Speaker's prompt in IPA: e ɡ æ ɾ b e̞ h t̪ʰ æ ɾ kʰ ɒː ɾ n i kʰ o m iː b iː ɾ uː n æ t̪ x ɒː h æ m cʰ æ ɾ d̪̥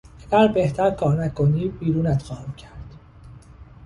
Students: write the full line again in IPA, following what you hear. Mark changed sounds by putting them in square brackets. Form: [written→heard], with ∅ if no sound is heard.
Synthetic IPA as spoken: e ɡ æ ɾ b e̞ h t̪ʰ æ ɾ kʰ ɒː ɾ n [i→æ] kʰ o [m→n] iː b iː ɾ uː n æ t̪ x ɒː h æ m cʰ æ ɾ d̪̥